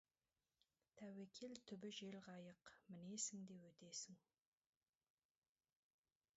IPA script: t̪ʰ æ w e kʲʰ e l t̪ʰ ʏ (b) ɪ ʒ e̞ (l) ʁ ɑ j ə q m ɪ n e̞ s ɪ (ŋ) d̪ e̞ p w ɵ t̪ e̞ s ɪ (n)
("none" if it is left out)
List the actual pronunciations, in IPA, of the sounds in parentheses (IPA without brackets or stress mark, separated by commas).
b, l, ŋ, ŋ